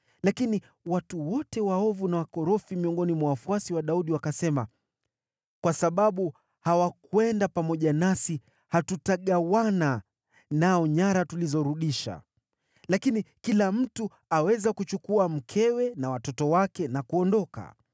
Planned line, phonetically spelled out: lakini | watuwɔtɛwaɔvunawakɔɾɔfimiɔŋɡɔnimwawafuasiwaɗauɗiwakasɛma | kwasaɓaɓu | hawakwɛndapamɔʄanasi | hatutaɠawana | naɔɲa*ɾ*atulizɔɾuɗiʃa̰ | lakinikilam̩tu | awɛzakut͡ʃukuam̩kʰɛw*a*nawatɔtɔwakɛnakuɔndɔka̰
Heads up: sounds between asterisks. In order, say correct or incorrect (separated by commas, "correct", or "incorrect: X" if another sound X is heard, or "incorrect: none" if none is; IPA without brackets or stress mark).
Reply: correct, incorrect: ɛ